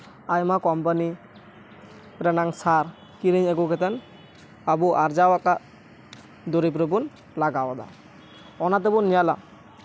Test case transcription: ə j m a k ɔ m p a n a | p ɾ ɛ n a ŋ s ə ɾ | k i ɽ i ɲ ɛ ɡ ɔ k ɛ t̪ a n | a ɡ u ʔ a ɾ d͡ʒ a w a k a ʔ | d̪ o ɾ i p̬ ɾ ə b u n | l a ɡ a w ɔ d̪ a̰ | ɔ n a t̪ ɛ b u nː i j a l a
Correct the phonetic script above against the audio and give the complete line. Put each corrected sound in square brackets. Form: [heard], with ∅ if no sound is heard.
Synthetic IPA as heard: [a] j m a k ɔ m p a n [i] | p ɾ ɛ n a ŋ s [a] ɾ | k i [ɾ] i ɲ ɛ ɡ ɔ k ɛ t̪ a n | a [b] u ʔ a ɾ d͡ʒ a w a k a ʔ | d̪ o ɾ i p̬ ɾ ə b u n | l a ɡ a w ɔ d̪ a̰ | ɔ n a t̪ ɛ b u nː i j a l a

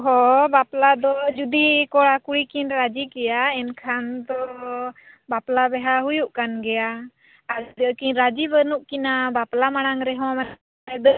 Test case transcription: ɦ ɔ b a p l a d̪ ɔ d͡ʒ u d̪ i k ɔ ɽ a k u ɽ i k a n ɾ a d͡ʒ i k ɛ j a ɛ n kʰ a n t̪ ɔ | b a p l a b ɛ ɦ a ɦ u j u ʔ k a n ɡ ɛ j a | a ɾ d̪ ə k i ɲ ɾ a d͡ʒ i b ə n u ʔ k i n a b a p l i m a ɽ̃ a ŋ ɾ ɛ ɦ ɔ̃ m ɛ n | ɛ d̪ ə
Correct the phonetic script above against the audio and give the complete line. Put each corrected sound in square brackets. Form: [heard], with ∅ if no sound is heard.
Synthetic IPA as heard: ɦ ɔ b a p l a d̪ ɔ d͡ʒ u d̪ i k ɔ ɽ a k u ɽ i k [i] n ɾ a d͡ʒ i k ɛ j a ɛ n kʰ a n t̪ ɔ | b a p l a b ɛ ɦ a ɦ u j u ʔ k a n ɡ ɛ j a | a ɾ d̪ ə k i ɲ ɾ a d͡ʒ i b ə n u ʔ k i n a b a p l [a] m a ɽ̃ a ŋ ɾ ɛ ɦ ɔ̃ m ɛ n | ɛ d̪ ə

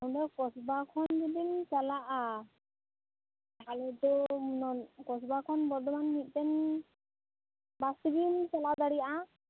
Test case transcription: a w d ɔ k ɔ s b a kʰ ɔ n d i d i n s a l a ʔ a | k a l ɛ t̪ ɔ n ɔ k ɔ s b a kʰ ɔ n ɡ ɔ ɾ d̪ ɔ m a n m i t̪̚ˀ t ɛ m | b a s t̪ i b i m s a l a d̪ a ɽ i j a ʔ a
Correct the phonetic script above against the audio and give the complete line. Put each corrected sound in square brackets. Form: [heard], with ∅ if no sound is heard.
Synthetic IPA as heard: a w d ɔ k ɔ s b a kʰ ɔ n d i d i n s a l a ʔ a | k a l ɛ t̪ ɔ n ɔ k ɔ s b a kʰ ɔ n [b] ɔ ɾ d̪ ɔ m a n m i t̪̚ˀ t ɛ [n] | b a s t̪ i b i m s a l a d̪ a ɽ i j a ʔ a

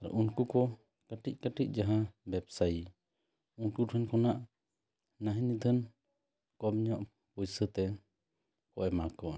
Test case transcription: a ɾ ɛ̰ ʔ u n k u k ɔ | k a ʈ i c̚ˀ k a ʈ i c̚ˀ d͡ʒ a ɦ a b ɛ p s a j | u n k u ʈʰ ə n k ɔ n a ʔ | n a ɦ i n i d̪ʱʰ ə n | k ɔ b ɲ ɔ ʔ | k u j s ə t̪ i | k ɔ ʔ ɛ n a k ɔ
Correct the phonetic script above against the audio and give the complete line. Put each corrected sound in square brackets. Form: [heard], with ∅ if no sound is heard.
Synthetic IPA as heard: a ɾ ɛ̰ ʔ u n k u k ɔ | k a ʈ i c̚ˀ k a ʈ i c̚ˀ d͡ʒ a ɦ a b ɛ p s a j | u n k u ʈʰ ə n k ɔ n a ʔ | n a ɦ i n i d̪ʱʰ ə n | k ɔ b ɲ ɔ ʔ | [p] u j s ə t̪ [ɛ] | k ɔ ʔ ɛ [m] a k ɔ

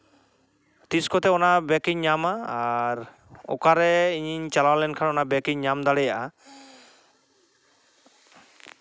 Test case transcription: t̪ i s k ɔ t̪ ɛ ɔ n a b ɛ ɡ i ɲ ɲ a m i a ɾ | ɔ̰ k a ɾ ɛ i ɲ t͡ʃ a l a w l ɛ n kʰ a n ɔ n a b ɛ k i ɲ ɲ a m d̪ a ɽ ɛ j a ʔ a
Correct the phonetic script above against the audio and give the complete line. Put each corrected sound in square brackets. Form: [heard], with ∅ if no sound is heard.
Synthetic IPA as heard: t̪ i s k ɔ t̪ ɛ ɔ n a b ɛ [k] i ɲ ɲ a m [a] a ɾ | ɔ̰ k a ɾ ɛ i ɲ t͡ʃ a l a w l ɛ n kʰ a n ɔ n a b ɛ k i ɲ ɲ a m d̪ a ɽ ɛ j a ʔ a

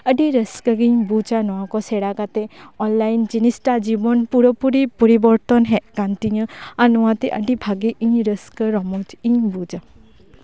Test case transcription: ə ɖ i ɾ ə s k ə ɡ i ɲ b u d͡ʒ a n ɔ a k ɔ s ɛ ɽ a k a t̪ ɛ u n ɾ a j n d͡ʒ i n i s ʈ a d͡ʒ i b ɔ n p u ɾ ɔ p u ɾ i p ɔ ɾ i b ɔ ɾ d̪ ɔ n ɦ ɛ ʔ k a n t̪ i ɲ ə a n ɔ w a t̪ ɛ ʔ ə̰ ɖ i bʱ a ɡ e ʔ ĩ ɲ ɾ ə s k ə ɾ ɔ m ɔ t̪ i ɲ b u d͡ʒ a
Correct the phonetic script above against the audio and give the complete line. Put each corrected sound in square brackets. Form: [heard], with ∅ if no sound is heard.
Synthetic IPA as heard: ə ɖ i ɾ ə s k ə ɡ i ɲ b u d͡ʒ a n ɔ a k ɔ s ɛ ɽ a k a t̪ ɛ [ɔ] n [l] a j n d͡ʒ i n i s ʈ a d͡ʒ i b ɔ n p u ɾ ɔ p u ɾ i p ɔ ɾ i b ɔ ɾ [t̪] ɔ n ɦ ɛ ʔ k a n t̪ i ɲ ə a n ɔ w a t̪ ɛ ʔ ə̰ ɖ i bʱ a ɡ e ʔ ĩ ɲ ɾ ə s k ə ɾ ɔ m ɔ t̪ i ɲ b u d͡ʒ a

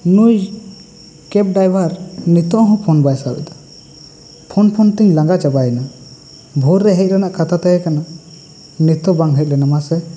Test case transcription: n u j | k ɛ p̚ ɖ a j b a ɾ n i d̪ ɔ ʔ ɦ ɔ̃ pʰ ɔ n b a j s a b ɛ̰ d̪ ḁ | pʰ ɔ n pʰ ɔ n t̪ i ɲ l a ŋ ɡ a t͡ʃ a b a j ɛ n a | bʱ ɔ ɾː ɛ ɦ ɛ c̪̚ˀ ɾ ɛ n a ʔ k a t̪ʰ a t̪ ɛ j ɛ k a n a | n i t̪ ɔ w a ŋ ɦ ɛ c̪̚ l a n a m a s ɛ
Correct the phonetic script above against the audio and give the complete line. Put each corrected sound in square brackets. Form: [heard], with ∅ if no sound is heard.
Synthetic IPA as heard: n u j | k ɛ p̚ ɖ a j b a ɾ n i [t̪] ɔ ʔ ɦ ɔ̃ pʰ ɔ n b a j s a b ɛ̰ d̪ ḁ | pʰ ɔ n pʰ ɔ n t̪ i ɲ l a ŋ ɡ a t͡ʃ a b a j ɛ n a | bʱ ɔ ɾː ɛ ɦ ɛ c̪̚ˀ ɾ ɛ n a ʔ k a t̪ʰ a t̪ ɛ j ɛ k a n a | n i t̪ ɔ [b] a ŋ ɦ ɛ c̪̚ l [ɛ] n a m a s ɛ

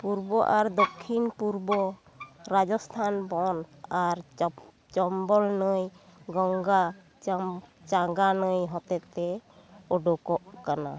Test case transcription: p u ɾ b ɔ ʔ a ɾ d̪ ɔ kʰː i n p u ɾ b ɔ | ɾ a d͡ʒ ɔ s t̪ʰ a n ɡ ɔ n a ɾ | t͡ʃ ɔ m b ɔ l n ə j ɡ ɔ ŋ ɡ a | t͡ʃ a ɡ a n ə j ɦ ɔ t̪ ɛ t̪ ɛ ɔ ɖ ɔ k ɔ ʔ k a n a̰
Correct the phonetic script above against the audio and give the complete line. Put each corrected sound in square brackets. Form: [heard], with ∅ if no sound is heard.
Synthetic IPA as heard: p u ɾ b ɔ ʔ a ɾ d̪ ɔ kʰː i n p u ɾ b ɔ | ɾ a d͡ʒ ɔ s t̪ʰ a n [b] ɔ n a ɾ | t͡ʃ ɔ m b ɔ l n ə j ɡ ɔ ŋ ɡ a | t͡ʃ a ɡ a n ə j ɦ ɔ t̪ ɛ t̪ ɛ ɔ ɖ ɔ k ɔ ʔ k a n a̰

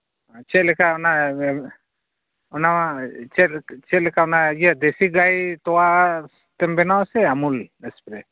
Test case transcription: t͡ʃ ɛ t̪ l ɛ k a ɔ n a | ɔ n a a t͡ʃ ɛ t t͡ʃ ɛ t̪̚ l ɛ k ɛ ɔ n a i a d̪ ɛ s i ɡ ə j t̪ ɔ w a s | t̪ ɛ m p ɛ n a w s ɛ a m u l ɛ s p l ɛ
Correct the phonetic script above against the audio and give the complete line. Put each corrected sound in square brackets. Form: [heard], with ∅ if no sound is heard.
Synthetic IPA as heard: t͡ʃ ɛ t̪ l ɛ k a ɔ n a | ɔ n a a t͡ʃ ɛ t t͡ʃ ɛ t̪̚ l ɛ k [a] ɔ n a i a d̪ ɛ s i ɡ [a] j t̪ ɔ w a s | t̪ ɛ m [b] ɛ n a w s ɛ a m u l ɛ s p [ɾ] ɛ

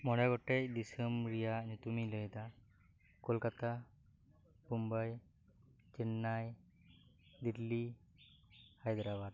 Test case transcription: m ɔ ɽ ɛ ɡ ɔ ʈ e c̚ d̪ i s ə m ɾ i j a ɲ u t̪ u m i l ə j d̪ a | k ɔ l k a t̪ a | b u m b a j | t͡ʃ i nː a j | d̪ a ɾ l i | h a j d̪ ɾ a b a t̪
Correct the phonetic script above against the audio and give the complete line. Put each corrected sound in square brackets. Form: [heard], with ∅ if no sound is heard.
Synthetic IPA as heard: m ɔ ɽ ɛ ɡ ɔ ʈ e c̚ d̪ i s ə m ɾ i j a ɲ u t̪ u m i l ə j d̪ a | k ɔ l k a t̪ a | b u m b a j | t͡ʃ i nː a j | d̪ [i] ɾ l i | h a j d̪ ɾ a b a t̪

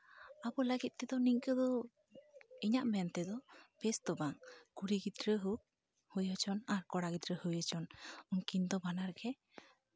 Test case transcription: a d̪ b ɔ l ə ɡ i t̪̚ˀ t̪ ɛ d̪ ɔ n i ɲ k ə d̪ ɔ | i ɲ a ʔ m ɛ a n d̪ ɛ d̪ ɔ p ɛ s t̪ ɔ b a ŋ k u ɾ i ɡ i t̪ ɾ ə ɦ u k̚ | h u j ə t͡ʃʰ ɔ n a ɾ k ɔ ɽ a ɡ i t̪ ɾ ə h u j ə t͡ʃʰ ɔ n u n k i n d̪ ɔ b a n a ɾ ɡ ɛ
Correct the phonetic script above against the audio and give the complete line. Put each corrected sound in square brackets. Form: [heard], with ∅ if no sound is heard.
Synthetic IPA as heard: a [∅] b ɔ l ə ɡ i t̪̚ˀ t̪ ɛ d̪ ɔ n i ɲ k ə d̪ ɔ | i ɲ a ʔ m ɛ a n [t̪] ɛ d̪ ɔ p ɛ s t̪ ɔ b a ŋ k u ɾ i ɡ i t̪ ɾ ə ɦ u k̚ | h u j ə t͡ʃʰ ɔ n a ɾ k ɔ ɽ a ɡ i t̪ ɾ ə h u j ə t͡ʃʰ ɔ n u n k i n d̪ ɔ b a n a ɾ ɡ ɛ

